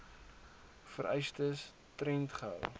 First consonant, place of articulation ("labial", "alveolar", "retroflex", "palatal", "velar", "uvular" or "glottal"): labial